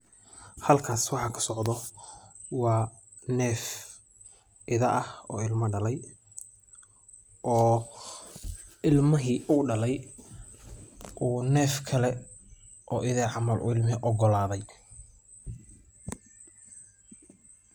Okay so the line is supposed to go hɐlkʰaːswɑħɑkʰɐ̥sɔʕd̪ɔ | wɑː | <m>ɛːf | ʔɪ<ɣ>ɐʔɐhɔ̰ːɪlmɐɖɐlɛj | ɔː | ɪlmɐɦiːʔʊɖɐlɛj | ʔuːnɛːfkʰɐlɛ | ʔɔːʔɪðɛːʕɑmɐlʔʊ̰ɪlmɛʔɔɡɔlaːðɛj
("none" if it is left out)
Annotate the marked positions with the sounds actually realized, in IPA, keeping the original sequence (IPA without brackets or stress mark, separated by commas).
n, ð